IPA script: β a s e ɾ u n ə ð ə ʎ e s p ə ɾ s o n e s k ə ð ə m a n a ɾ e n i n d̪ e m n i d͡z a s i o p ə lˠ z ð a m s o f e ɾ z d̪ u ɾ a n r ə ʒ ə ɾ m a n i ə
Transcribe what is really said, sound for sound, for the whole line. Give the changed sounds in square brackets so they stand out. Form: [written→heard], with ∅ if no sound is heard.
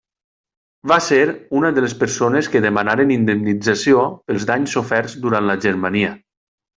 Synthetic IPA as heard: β a s e ɾ u n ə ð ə [ʎ→l] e s p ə ɾ s o n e s k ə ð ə m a n a ɾ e n i n d̪ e m n i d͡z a s i o p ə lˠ z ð a [m→ɲ] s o f [e→ɛ] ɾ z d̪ u ɾ a n [r→l] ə ʒ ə ɾ m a n i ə